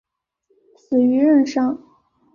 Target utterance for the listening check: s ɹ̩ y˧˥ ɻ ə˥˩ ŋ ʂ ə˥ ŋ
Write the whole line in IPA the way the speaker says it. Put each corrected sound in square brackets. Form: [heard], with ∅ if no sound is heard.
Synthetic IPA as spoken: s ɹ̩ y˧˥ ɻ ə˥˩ [n] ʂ [ɑ˥] ŋ